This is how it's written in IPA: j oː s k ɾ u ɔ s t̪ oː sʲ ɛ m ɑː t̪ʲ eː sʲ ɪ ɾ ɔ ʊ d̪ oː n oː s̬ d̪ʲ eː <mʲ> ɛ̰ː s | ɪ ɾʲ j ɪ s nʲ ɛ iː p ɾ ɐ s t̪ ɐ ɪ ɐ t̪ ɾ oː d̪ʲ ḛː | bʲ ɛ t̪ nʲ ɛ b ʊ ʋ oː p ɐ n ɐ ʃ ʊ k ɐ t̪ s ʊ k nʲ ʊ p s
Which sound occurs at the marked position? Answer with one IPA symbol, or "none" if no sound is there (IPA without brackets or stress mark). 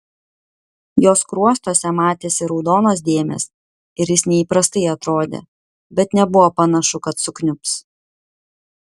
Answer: mʲ